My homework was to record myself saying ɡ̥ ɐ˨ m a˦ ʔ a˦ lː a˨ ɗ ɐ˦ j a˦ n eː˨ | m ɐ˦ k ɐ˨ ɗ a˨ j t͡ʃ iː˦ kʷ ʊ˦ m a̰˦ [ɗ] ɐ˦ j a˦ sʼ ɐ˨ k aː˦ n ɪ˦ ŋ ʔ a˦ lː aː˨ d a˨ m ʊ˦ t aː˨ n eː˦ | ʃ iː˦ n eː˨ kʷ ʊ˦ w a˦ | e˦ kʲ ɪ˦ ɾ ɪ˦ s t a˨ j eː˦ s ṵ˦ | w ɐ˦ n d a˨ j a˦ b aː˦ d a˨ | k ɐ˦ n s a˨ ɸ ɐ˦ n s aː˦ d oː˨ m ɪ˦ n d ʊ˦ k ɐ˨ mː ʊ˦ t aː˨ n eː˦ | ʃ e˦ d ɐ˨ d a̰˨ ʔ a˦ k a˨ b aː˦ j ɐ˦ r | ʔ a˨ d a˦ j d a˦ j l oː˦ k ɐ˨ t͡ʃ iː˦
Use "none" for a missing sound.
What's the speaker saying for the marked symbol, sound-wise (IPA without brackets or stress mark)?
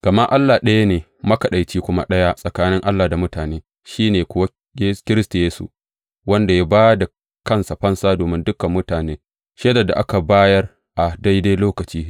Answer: ɗ